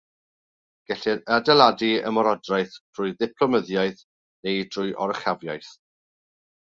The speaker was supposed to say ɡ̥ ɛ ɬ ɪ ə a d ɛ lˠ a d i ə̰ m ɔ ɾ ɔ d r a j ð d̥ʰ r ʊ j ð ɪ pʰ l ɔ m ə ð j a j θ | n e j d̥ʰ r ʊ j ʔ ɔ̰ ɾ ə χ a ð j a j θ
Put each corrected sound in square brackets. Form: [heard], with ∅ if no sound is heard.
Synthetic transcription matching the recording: ɡ̥ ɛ ɬ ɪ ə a d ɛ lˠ a d i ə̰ m ɔ ɾ ɔ d r a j [θ] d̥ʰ r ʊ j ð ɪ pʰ l ɔ m ə ð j a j θ | n e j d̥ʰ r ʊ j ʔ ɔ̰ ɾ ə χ a [v] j a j θ